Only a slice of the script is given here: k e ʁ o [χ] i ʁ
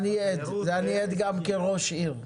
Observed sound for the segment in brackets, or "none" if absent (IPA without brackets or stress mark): ʃ